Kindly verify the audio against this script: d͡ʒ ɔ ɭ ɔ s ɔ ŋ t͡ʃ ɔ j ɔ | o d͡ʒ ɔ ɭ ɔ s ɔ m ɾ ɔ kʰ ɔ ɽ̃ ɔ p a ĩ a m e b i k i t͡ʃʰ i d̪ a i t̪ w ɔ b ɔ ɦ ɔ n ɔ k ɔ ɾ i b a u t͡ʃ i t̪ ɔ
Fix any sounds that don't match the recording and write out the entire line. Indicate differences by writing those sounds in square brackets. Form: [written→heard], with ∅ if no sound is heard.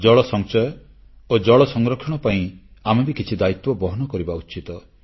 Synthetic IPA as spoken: d͡ʒ ɔ ɭ ɔ s ɔ ŋ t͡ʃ ɔ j ɔ | o d͡ʒ ɔ ɭ ɔ s ɔ [m→ŋ] ɾ ɔ kʰ ɔ ɽ̃ ɔ p a ĩ a m e b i k i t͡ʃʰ i d̪ a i t̪ w ɔ b ɔ ɦ ɔ n ɔ k ɔ ɾ i b a u t͡ʃ i t̪ ɔ